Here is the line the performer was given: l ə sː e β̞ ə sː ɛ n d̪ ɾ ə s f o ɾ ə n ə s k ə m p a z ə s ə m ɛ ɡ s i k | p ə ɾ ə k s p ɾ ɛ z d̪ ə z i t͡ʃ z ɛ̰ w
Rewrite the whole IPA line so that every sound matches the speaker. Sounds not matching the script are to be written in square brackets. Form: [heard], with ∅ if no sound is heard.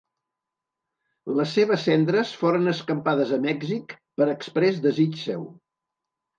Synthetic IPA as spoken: l ə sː e β̞ ə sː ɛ n d̪ ɾ ə s f o ɾ ə n ə s k ə m p a [ð] ə [z] ə m ɛ ɡ [z] i k | p ə ɾ ə k s p ɾ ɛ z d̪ ə z i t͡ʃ [s] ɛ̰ w